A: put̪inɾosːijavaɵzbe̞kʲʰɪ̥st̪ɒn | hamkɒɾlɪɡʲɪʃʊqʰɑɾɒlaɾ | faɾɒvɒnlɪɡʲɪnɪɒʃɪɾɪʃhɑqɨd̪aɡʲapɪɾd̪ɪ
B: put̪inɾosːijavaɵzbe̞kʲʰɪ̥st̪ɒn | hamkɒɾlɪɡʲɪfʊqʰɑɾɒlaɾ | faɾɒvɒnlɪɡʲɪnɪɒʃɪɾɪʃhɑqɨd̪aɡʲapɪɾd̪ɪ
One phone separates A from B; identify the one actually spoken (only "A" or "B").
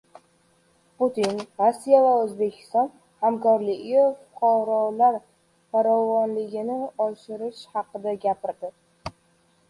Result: B